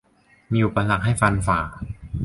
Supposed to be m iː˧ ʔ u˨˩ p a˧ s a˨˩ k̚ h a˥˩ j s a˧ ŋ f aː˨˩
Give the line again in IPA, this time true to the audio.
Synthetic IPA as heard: m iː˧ ʔ u˨˩ p a˧ s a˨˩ k̚ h a˥˩ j f a˧ n f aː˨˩